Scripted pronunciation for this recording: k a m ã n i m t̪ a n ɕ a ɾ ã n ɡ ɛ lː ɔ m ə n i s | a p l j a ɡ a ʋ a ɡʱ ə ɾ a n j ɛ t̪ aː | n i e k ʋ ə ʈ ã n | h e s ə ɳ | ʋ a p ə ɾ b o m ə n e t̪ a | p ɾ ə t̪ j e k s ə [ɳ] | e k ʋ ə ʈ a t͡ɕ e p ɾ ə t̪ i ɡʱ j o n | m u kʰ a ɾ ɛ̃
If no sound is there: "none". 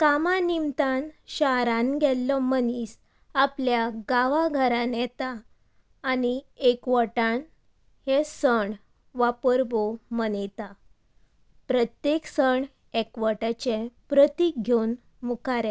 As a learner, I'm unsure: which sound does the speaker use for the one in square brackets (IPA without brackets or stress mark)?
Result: ɳ